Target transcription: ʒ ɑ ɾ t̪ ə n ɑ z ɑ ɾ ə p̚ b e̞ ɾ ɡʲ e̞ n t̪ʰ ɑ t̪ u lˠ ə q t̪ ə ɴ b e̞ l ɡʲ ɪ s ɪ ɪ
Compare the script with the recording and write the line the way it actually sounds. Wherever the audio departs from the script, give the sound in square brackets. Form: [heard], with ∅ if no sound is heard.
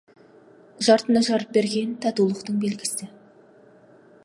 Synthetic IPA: ʒ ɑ ɾ t̪ ə n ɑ [ʒ] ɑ ɾ ə p̚ b e̞ ɾ ɡʲ e̞ n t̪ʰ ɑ t̪ u lˠ ə q t̪ ə ɴ b e̞ l ɡʲ ɪ s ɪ ɪ